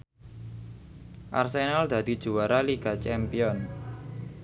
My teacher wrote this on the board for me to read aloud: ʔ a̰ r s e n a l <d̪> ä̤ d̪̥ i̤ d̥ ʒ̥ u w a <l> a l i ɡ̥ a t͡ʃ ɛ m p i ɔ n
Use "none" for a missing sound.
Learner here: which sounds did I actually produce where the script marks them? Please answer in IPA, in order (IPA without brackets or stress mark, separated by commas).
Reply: d̪, ɾ